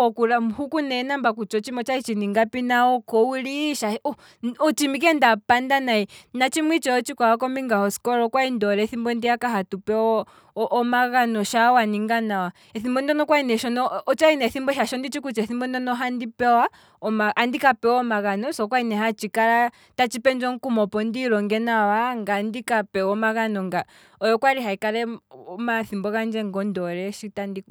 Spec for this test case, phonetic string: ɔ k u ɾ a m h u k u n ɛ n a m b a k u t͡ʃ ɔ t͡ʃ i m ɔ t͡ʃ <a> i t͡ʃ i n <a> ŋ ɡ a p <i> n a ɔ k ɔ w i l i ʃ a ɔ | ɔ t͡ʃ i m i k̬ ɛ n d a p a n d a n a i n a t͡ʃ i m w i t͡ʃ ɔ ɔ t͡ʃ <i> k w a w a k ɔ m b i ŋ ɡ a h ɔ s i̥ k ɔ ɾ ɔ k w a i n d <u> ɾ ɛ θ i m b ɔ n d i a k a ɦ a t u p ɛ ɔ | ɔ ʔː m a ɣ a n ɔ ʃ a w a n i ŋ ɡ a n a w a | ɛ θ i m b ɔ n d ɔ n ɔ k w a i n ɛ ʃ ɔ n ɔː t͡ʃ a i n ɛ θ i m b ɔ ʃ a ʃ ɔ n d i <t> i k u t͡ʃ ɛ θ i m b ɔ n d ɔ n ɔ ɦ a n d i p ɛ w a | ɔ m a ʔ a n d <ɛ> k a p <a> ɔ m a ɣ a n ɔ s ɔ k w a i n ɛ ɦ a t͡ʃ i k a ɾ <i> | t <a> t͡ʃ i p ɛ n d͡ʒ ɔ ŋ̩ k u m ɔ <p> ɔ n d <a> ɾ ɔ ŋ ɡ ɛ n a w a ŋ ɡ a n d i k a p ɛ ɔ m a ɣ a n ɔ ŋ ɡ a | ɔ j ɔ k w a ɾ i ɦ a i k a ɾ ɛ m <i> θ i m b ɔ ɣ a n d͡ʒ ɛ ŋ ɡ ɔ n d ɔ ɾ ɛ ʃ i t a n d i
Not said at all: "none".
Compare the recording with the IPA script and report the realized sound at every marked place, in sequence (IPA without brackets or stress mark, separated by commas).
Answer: a, i, i, i, ɔ, t͡ʃ, i, ɛ, a, a, p, i, a